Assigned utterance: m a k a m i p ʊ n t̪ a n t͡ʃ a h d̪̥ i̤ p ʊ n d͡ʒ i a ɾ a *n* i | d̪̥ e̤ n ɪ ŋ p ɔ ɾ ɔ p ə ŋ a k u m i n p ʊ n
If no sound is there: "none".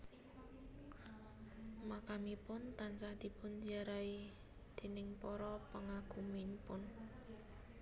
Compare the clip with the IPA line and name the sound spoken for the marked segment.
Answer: none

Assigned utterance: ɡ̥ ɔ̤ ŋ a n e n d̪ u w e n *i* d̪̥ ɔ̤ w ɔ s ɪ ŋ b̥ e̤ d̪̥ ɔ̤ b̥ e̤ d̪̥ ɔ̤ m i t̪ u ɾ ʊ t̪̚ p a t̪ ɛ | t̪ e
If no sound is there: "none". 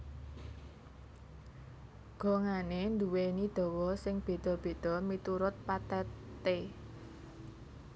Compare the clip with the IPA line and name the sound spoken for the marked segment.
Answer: i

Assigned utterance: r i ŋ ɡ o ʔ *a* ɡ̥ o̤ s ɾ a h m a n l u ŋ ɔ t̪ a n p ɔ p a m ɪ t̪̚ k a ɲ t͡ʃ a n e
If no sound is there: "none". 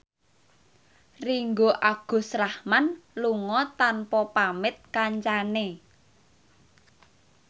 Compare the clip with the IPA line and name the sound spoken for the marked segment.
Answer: a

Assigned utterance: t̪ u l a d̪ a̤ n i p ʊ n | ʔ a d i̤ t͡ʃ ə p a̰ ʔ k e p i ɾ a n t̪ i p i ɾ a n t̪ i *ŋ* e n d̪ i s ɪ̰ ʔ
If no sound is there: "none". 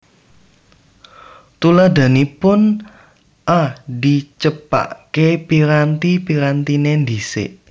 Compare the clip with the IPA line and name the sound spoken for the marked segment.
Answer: n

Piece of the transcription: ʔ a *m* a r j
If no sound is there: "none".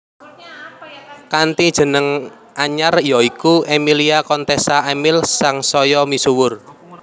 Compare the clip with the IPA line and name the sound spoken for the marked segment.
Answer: ɲ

